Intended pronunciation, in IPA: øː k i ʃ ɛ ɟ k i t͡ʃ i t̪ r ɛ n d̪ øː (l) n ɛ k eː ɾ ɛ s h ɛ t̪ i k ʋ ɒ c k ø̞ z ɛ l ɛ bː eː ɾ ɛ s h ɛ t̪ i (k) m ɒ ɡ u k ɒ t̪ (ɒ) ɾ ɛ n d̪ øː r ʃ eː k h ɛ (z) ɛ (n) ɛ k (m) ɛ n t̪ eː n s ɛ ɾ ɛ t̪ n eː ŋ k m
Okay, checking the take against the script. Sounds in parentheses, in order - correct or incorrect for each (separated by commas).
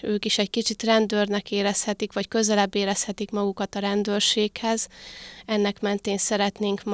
incorrect, correct, correct, correct, incorrect, correct